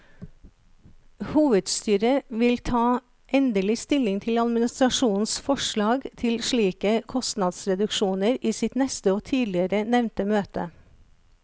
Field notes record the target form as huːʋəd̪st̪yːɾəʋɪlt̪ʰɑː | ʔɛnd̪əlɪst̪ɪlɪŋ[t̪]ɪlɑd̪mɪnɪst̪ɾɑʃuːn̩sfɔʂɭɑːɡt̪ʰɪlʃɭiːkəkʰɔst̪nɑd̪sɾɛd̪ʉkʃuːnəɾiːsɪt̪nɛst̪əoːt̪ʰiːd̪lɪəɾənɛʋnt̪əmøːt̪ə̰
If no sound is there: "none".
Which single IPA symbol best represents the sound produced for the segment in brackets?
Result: t̪ʰ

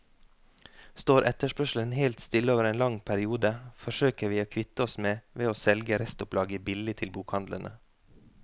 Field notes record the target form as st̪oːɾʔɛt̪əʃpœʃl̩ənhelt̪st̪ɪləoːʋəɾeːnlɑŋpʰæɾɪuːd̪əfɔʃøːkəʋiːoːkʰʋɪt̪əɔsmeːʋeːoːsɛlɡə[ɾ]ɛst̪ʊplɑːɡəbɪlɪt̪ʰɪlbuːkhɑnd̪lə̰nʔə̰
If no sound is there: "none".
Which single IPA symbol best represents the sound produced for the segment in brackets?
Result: ɾ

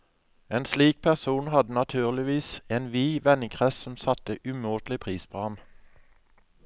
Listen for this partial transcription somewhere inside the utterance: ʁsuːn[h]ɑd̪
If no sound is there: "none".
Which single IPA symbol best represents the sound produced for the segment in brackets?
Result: h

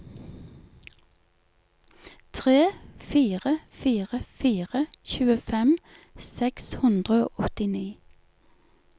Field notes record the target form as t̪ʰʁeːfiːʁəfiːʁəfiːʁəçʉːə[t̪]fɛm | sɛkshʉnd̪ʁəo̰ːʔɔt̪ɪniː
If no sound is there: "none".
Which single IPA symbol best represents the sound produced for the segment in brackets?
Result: none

